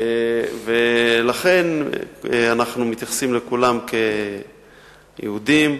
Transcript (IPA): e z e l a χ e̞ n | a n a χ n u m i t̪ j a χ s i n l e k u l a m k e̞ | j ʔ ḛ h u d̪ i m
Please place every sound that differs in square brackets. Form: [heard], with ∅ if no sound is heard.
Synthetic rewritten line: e [v] e l a χ e̞ n | a n a χ n u m i t̪ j a χ s i [m] l e k u l a m k e̞ | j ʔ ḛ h u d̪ i m